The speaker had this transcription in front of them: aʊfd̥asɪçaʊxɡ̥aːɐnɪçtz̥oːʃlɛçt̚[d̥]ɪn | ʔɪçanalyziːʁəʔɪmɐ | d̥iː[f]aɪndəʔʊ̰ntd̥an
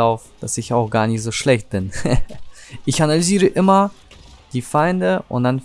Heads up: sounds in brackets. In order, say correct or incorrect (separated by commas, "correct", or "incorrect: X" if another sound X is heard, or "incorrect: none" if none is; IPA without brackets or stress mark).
incorrect: b̥, correct